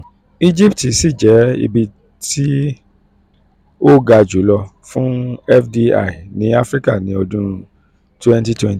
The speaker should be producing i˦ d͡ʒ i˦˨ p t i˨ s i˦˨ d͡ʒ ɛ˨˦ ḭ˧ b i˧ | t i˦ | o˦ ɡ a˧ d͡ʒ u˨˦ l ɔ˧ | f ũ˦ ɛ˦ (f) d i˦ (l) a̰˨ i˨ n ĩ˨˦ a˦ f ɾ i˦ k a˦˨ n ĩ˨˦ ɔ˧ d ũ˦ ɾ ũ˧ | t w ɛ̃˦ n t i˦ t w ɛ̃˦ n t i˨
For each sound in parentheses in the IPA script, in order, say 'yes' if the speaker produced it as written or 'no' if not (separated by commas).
yes, no